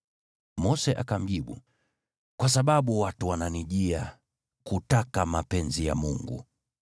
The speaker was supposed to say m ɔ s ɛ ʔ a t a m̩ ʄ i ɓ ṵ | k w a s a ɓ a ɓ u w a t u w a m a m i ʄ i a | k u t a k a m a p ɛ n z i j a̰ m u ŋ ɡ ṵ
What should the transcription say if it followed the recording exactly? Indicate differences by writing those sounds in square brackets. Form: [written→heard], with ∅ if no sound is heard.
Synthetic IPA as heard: m ɔ s ɛ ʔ a [t→k] a m̩ ʄ i ɓ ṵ | k w a s a ɓ a ɓ u w a t u w a [m→n] a [m→n] i ʄ i a | k u t a k a m a p ɛ n z i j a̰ m u ŋ ɡ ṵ